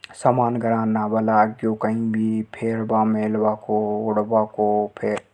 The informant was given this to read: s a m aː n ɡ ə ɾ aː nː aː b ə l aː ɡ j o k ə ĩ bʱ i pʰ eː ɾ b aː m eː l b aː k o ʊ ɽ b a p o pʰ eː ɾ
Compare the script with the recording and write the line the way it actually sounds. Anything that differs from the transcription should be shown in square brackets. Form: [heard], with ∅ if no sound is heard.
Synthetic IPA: s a m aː n ɡ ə ɾ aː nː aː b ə l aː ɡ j o k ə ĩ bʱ i pʰ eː ɾ b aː m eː l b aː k o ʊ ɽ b a [k] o pʰ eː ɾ